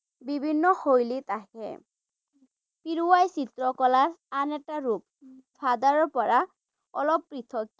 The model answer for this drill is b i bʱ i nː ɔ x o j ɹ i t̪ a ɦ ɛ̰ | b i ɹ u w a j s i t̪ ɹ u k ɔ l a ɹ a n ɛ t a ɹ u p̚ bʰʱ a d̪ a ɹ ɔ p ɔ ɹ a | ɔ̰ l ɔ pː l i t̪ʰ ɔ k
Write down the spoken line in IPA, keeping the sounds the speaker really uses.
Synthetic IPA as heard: b i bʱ i nː ɔ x o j l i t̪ a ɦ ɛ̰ | p i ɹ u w a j s i t̪ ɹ ɔ k ɔ l a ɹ a n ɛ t a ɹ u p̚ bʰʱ a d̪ a ɹ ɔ p ɔ ɹ a | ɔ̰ l ɔ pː ɹ i t̪ʰ ɔ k